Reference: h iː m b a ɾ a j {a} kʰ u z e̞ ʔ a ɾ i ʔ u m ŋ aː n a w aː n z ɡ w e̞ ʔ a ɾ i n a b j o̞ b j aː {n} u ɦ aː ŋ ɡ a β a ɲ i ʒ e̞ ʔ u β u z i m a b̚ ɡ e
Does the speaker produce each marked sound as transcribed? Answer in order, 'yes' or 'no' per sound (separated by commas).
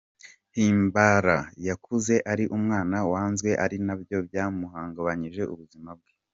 yes, no